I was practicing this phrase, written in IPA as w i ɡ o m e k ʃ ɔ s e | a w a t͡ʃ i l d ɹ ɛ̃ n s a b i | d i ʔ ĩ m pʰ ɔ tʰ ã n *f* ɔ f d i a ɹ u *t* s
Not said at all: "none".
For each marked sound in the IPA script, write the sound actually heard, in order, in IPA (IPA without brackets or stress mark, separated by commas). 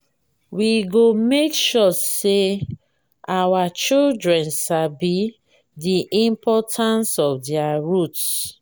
s, t